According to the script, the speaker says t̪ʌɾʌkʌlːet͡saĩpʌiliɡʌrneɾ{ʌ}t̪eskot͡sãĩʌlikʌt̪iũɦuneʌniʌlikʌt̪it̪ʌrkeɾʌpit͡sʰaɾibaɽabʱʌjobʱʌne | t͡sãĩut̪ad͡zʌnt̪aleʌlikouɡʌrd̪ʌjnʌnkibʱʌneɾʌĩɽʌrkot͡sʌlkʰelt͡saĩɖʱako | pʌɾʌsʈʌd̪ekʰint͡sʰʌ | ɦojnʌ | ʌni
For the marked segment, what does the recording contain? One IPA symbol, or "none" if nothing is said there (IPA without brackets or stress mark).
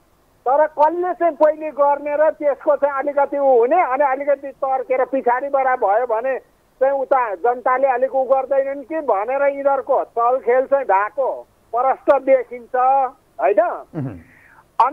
ʌ